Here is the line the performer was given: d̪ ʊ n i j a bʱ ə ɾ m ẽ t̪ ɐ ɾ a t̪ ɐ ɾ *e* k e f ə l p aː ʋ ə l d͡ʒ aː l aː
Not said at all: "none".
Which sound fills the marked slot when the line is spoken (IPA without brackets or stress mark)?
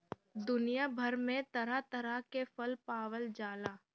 a